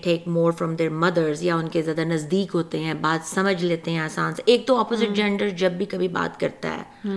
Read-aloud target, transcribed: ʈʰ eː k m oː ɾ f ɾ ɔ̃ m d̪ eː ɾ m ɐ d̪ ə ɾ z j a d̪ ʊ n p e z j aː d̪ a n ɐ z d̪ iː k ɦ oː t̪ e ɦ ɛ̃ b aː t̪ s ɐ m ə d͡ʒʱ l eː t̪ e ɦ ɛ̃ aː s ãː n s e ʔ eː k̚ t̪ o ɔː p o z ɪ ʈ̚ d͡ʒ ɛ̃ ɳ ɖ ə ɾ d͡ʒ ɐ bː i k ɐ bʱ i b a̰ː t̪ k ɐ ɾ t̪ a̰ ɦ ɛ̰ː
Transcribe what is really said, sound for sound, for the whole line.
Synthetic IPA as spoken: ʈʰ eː k m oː ɾ f ɾ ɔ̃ m d̪ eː ɾ m ɐ d̪ ə ɾ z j a ʊ n k e z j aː d̪ a n ɐ z d̪ iː k ɦ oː t̪ e ɦ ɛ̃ b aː t̪ s ɐ m ə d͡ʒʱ l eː t̪ e ɦ ɛ̃ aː s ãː n s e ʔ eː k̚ t̪ o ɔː p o z ɪ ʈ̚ d͡ʒ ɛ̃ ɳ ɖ ə ɾ d͡ʒ ɐ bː i k ɐ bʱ i b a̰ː t̪ k ɐ ɾ t̪ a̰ ɦ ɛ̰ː